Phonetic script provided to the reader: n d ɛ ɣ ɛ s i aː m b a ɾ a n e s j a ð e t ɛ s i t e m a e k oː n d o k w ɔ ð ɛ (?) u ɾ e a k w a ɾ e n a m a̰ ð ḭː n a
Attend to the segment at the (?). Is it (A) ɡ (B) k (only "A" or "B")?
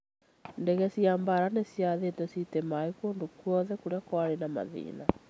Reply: B